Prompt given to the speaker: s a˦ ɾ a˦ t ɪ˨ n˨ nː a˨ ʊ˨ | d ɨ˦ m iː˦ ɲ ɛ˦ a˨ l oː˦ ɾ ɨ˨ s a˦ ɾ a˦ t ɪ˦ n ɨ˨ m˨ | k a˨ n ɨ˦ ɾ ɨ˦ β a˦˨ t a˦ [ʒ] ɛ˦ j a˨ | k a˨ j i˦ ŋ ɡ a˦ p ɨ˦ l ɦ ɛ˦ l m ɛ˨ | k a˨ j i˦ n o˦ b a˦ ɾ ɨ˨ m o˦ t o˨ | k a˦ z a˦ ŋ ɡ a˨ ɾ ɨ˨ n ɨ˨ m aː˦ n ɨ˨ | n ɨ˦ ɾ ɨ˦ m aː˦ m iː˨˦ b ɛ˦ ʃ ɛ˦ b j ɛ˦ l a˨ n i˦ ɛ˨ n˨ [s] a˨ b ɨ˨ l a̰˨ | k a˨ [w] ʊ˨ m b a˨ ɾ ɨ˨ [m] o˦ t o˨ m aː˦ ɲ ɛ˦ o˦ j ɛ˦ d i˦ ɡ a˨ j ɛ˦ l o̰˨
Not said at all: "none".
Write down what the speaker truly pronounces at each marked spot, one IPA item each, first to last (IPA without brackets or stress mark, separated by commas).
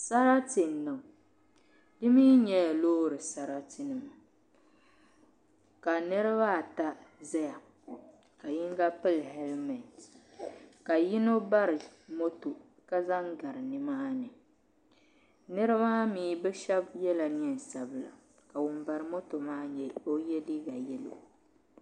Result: z, s, w, m